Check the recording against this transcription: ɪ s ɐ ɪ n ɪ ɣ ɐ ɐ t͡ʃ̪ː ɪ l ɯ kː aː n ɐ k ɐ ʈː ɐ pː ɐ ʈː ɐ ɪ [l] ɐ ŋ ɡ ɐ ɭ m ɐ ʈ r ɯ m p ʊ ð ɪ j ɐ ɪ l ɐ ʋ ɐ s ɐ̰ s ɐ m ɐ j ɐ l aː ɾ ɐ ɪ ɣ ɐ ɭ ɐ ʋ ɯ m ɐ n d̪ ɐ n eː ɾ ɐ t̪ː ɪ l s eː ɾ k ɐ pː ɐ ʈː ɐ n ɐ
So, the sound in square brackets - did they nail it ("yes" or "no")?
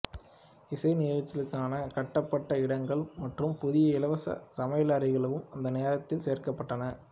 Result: no